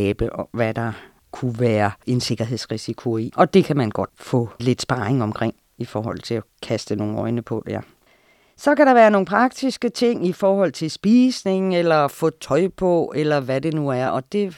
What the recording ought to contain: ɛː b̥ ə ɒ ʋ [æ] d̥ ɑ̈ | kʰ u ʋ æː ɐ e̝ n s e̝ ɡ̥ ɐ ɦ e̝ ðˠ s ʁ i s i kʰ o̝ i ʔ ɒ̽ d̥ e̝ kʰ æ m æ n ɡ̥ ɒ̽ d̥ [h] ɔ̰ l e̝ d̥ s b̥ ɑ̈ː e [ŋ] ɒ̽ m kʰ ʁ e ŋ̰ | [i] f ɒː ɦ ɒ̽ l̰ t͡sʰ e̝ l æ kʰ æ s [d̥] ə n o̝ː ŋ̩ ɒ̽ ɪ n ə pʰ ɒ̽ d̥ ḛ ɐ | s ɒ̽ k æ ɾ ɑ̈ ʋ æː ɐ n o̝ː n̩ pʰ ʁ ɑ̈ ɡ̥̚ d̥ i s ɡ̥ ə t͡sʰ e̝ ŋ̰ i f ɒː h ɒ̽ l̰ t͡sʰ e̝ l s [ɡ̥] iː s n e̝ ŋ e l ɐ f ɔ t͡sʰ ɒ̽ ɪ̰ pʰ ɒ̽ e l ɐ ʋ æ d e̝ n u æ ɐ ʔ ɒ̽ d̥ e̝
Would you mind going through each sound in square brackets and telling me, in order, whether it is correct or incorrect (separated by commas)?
correct, incorrect, correct, correct, correct, incorrect